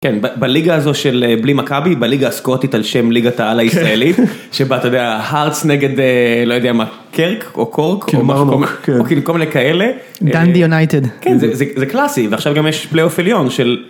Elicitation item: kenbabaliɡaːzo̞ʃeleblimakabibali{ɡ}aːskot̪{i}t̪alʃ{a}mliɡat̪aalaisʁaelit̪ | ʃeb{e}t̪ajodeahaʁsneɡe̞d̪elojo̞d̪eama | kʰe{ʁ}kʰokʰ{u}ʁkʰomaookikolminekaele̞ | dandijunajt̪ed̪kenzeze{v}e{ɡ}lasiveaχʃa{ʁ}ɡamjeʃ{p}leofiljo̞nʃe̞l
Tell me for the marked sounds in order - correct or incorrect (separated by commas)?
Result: correct, correct, incorrect, incorrect, correct, incorrect, incorrect, incorrect, incorrect, correct